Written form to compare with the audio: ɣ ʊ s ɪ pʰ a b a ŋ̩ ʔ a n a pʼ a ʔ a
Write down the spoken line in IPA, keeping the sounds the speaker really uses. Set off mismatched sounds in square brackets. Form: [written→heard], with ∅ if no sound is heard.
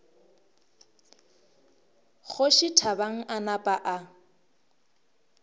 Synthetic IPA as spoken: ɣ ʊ [s→ʃ] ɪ [pʰ→tʰ] a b a ŋ̩ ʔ a n a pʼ a ʔ a